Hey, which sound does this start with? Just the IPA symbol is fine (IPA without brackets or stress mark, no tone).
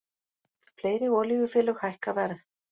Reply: f